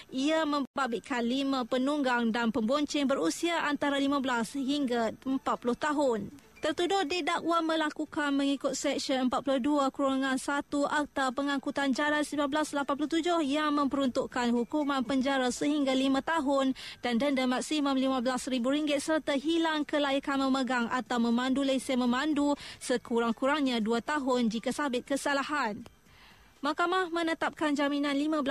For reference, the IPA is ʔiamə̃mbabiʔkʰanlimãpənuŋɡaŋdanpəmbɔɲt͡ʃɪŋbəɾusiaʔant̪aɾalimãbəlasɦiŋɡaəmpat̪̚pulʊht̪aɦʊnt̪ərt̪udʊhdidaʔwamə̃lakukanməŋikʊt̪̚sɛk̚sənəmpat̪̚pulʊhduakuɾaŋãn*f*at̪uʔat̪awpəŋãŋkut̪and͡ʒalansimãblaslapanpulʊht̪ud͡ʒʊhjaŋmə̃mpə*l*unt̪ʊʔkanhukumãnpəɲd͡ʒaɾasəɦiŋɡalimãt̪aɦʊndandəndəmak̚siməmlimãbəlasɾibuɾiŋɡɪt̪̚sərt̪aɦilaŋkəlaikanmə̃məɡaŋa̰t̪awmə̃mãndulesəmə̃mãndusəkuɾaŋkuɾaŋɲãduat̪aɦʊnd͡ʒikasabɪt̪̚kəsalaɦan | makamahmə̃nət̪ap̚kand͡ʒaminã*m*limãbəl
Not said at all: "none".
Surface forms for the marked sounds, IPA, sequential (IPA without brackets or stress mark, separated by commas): s, ɾ, n